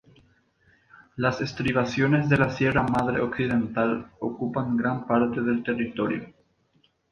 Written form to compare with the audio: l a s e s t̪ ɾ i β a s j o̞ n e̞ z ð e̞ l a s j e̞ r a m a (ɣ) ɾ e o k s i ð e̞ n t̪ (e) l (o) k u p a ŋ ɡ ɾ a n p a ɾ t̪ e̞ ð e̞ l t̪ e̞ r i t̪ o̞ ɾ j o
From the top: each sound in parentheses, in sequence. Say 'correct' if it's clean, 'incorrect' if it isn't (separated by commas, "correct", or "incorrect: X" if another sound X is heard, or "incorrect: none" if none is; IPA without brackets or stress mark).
incorrect: ð, incorrect: a, correct